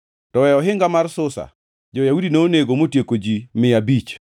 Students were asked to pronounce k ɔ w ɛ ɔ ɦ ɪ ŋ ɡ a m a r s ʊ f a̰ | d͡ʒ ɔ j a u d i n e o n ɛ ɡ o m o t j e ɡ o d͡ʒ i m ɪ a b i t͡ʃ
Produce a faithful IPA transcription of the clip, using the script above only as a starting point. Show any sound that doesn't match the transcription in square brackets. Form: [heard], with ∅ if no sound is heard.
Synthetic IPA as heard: [t] ɔ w ɛ ɔ ɦ ɪ ŋ ɡ a m a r s ʊ [s] a̰ | d͡ʒ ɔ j a u d i n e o n [e] ɡ o m o t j e [k] o d͡ʒ i m ɪ a b i t͡ʃ